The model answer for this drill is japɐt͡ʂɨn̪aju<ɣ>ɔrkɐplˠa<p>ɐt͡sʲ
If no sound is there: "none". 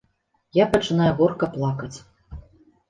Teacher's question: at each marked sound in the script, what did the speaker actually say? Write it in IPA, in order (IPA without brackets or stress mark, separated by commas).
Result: ɣ, k